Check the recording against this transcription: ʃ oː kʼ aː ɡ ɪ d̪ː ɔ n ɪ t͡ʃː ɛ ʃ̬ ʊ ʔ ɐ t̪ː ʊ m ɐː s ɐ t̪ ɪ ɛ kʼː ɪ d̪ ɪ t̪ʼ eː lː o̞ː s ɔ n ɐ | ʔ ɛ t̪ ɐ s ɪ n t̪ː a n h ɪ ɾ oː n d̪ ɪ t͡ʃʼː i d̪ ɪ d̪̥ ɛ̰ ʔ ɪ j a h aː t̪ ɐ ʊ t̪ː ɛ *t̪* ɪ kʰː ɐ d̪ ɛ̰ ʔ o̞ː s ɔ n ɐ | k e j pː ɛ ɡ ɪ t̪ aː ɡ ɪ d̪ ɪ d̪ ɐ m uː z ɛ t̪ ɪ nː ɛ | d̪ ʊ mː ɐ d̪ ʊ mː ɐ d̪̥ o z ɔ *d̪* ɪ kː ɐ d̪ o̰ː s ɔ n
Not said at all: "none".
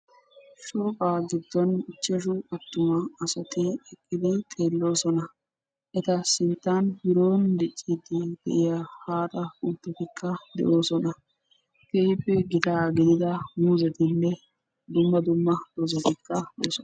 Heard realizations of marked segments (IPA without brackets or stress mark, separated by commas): t̪, t̪